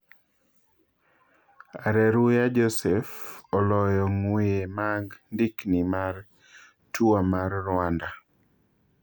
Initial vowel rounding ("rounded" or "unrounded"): unrounded